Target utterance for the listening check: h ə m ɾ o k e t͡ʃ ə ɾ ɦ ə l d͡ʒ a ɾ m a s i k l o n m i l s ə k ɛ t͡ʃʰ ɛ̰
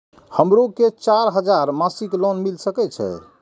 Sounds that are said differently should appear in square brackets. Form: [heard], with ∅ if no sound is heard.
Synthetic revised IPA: h ə m ɾ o k e t͡ʃ [a] ɾ ɦ ə [∅] d͡ʒ a ɾ m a s i k l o n m i l s ə k ɛ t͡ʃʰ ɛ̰